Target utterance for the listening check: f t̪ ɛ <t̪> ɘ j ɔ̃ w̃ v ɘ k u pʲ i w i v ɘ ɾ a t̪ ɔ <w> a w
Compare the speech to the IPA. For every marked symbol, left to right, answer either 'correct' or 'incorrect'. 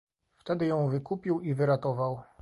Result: incorrect, incorrect

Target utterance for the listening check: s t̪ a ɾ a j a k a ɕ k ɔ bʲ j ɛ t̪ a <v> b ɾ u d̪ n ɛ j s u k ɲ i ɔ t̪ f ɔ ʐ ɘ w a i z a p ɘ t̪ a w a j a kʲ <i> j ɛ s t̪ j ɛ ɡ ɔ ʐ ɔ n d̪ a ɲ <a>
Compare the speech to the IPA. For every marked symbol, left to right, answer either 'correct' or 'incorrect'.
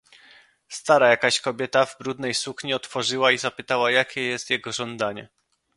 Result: correct, incorrect, incorrect

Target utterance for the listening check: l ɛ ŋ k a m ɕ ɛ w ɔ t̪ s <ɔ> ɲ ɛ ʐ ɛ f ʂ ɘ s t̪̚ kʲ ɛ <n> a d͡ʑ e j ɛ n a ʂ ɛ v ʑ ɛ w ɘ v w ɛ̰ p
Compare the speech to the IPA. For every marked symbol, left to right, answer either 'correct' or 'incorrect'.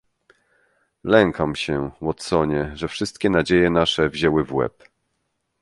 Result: correct, correct

